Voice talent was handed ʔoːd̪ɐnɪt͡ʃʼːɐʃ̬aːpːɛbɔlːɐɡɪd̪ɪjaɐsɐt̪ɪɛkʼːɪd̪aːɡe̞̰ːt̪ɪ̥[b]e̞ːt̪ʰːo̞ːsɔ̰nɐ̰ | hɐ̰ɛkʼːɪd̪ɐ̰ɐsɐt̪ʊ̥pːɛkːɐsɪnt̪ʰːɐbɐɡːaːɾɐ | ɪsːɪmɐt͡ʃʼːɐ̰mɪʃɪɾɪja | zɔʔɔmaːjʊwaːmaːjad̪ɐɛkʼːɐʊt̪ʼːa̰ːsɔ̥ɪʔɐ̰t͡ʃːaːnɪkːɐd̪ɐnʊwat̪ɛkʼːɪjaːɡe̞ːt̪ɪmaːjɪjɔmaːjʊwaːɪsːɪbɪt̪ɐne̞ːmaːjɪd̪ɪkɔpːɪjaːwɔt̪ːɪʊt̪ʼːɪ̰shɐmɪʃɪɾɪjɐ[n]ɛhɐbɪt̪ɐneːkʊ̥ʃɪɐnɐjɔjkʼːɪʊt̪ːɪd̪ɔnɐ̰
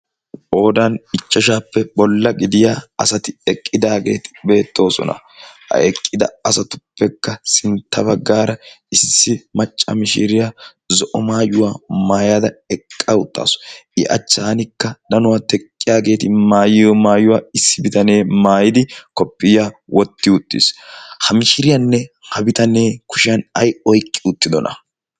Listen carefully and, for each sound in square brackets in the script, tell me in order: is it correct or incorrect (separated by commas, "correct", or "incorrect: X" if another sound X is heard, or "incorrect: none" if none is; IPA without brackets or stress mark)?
correct, incorrect: nː